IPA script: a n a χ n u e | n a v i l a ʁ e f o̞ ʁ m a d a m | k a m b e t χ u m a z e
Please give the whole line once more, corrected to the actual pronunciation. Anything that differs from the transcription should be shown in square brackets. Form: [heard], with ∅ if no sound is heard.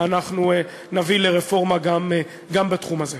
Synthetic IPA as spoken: a n a χ n u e | n a v i l [e] ʁ e f o̞ ʁ m a [ɡ] a m | [ɡ] a m b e t χ u m a z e